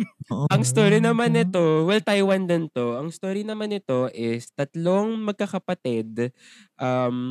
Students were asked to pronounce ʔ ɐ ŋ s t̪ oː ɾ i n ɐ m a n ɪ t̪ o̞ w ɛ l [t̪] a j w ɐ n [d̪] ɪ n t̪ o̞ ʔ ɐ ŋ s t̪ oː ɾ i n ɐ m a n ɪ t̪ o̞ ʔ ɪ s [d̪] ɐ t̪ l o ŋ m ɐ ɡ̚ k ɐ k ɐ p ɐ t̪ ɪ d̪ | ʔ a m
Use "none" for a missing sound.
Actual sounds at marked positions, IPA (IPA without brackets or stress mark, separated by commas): t̪, d̪, t̪